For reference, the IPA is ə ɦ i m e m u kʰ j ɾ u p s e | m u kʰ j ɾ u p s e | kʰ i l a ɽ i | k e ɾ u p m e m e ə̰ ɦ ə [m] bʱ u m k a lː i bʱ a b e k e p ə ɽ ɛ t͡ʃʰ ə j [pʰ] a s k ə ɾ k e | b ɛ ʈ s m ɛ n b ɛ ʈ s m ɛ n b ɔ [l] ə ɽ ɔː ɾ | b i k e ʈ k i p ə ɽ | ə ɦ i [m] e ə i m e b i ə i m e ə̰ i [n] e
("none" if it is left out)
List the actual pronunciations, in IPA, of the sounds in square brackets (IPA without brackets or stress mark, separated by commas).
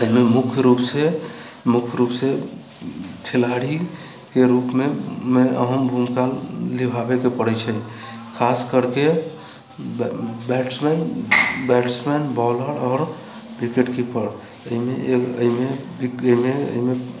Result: m, kʰ, l, m, m